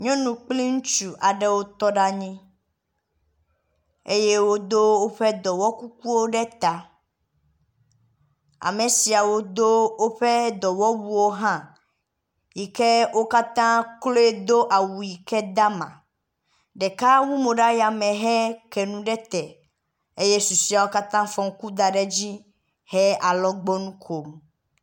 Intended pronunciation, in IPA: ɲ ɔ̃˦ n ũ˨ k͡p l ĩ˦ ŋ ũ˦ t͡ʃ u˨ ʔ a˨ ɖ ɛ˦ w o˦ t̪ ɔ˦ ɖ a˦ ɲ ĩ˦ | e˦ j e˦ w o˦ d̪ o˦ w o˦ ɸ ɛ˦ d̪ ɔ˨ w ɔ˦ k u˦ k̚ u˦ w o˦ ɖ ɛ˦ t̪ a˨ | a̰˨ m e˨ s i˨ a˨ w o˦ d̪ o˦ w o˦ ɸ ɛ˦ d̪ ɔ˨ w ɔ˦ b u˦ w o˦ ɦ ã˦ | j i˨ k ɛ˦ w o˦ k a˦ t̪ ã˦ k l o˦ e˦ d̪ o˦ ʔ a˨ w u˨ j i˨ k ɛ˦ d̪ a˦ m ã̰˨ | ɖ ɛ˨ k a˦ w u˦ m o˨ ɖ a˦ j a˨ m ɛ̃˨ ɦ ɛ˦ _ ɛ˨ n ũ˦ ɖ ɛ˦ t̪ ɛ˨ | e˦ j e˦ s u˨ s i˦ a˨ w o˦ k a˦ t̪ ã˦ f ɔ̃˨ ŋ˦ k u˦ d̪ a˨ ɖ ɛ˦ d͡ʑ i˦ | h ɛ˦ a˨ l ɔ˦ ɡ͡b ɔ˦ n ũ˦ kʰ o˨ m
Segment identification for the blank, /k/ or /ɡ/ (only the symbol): k